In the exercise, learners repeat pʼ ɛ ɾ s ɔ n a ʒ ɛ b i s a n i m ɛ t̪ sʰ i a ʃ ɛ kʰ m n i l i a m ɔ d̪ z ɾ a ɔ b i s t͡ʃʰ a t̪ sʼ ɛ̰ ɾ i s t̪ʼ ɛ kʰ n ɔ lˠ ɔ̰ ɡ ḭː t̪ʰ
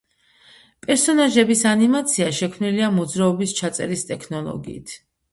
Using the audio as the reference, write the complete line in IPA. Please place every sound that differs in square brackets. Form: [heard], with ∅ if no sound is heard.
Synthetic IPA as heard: pʼ ɛ ɾ s ɔ n a ʒ ɛ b i s a n i m [a] t̪ sʰ i a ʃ ɛ kʰ m n i l i a m ɔ d̪ z ɾ a ɔ b i s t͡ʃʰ a t̪ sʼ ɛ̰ ɾ i s t̪ʼ ɛ kʰ n ɔ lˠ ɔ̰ ɡ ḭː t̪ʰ